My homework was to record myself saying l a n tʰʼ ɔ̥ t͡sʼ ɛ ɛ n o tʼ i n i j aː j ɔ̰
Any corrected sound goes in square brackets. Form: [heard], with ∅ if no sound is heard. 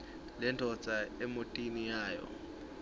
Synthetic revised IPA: l [ɛ] n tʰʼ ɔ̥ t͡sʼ [a] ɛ [m] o tʼ i n i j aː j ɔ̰

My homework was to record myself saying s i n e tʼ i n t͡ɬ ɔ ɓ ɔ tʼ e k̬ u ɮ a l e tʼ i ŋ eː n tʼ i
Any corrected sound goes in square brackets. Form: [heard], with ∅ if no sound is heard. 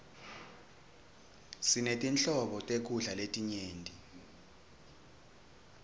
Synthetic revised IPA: s i n e tʼ i n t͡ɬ ɔ ɓ ɔ tʼ e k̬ u ɮ a l e tʼ i [ɲ] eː n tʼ i

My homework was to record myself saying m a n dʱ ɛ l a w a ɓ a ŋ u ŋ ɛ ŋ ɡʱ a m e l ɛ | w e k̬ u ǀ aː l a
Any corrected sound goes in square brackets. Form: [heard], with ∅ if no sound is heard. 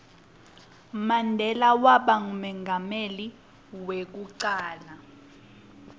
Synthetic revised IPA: m a n dʱ ɛ l a w a ɓ a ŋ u [m] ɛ ŋ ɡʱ a m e l [i] | w e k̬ u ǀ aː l a

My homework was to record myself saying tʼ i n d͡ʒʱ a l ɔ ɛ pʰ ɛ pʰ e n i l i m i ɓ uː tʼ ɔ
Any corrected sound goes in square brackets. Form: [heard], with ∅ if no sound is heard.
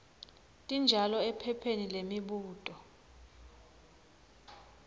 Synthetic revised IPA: tʼ i n d͡ʒʱ a l ɔ ɛ pʰ ɛ pʰ e n i l [e] m i ɓ uː tʼ ɔ

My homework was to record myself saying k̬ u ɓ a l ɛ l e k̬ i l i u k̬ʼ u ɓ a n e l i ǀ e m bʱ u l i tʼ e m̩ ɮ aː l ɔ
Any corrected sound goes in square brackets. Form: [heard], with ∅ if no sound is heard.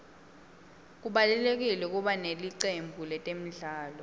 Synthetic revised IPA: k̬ u ɓ a l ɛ l e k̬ i l [ɛ] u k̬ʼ u ɓ a n e l i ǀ e m bʱ u l [ɛ] tʼ e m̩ ɮ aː l ɔ

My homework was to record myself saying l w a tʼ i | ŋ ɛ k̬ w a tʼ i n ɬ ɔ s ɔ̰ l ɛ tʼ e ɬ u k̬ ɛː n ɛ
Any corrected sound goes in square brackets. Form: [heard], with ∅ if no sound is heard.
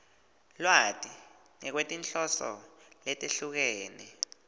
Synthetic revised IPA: l w a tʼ i | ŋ ɛ k̬ w [e] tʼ i n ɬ ɔ s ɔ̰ l ɛ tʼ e ɬ u k̬ ɛː n ɛ

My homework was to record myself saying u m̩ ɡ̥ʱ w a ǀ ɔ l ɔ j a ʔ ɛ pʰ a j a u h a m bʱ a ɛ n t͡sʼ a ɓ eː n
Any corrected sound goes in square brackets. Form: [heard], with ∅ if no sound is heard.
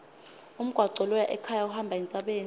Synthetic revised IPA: u m̩ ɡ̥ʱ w a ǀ ɔ l ɔ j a ʔ ɛ [kʰ] a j a u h a m bʱ a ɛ n t͡sʼ a ɓ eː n

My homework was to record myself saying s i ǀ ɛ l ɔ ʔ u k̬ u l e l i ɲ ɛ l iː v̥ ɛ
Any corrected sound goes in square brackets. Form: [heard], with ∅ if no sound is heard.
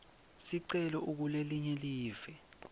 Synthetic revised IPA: s i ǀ ɛ l ɔ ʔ u k̬ u l e l i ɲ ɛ l iː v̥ ɛ

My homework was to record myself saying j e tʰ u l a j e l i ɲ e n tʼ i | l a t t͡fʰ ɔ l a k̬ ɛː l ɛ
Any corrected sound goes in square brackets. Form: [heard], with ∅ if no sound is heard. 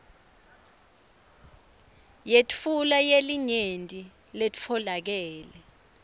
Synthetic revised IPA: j e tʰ u l a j e l i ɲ e n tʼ i | l [e] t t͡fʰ ɔ l a k̬ ɛː l ɛ

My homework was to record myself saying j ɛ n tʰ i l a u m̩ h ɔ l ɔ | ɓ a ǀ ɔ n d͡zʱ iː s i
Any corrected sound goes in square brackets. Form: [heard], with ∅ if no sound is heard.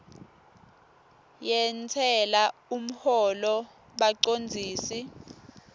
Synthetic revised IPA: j ɛ n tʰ [ɛ] l a u m̩ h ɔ l ɔ | ɓ a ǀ [o] n d͡zʱ iː s i

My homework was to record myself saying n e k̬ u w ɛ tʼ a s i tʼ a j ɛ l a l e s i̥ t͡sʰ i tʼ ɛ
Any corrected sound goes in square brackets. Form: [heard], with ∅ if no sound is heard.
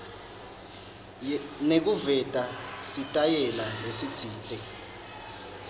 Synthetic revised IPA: n e k̬ u [v] ɛ tʼ a s i tʼ a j ɛ l a l e s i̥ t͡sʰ [iː] tʼ ɛ

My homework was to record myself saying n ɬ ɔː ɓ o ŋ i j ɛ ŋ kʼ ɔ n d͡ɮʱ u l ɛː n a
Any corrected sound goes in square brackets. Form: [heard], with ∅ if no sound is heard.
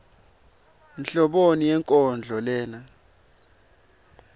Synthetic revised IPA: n ɬ [ɔ] ɓ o [n] i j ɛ ŋ kʼ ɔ n d͡ɮʱ [ɔ] l ɛː n a

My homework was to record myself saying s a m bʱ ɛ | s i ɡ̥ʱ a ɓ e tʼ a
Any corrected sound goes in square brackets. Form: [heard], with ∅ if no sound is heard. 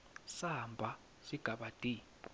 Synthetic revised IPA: s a m bʱ [a] | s i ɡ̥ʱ a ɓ [a] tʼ [i]

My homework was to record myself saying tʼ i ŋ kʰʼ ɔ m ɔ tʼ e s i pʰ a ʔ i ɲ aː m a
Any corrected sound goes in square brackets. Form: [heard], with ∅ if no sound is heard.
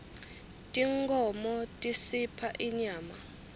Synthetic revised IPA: tʼ i ŋ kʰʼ ɔ m ɔ tʼ [i] s i pʰ a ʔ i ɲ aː m a

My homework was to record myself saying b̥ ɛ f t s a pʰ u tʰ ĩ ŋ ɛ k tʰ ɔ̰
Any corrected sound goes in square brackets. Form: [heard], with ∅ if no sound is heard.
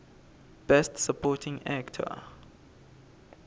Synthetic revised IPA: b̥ ɛ [s] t s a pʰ [ɔ] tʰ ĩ ŋ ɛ k tʰ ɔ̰

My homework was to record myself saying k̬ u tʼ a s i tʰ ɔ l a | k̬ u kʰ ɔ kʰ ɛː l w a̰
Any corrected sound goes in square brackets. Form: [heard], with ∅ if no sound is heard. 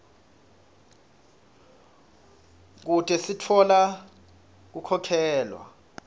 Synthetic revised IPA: k̬ u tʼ [ɛ] s i tʰ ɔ l a | k̬ u kʰ ɔ kʰ ɛː l w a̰

